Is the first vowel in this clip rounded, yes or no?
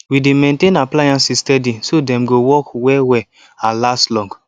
no